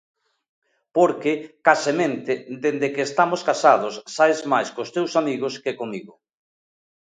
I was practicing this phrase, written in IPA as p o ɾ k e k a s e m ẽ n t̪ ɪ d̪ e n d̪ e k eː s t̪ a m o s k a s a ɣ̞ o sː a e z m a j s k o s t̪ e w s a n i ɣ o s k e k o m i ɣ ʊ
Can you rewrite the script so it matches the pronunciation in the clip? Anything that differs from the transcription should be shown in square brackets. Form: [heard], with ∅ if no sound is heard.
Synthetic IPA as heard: p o ɾ k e k a s e m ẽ n t̪ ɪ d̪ e n d̪ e k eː s t̪ a m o s k a s a [ð̞] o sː a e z m a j s k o s t̪ e w s a [m] i ɣ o s k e k o m i ɣ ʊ